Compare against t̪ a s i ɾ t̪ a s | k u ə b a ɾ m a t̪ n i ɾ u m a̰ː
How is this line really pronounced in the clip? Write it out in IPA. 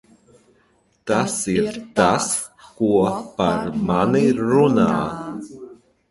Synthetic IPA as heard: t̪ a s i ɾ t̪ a s | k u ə p a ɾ m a n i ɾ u n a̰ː